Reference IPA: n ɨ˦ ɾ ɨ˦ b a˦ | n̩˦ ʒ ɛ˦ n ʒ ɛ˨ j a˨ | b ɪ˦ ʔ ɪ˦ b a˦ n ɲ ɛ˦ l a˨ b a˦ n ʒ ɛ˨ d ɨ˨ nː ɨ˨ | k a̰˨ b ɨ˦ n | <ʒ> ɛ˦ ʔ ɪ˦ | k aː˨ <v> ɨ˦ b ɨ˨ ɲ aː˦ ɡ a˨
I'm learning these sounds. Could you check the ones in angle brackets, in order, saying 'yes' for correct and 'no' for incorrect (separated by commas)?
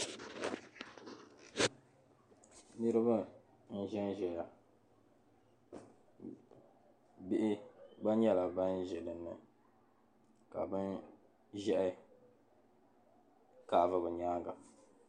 yes, yes